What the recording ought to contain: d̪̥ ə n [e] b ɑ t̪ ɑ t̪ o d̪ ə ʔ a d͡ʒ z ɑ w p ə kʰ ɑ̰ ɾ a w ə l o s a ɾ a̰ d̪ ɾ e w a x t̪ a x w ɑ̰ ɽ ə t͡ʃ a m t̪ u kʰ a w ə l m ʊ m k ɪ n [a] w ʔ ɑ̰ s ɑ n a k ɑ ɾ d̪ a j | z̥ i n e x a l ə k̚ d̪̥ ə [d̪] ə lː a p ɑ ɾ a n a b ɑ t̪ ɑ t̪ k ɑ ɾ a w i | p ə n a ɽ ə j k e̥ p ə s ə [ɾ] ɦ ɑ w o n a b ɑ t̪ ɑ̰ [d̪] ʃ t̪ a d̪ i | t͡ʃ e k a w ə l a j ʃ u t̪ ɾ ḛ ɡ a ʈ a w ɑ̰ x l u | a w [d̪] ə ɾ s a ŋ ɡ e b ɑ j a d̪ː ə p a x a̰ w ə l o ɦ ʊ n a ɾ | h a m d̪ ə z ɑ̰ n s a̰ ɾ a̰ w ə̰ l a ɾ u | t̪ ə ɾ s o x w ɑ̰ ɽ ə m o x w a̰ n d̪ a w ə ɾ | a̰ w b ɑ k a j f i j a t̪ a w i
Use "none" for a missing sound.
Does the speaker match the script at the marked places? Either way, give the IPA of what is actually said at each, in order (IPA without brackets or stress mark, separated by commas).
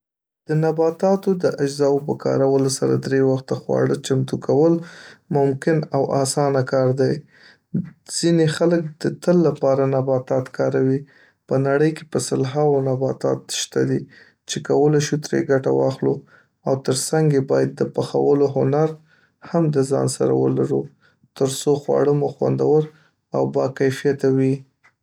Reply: a, a, t̪, l, t̪, t̪